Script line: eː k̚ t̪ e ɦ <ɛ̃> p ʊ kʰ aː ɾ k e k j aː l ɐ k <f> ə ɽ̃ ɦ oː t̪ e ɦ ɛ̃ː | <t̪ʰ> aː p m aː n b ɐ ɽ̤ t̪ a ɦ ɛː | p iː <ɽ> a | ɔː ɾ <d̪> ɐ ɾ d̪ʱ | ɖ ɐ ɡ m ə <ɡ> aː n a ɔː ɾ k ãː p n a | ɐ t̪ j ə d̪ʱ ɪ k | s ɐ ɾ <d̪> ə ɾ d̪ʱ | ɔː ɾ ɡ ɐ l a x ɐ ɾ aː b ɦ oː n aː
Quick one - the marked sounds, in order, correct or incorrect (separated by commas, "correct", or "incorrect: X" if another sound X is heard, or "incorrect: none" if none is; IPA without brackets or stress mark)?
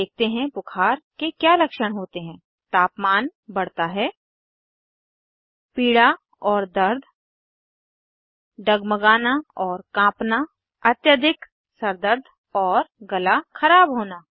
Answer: correct, incorrect: ʃ, incorrect: t̪, correct, correct, correct, correct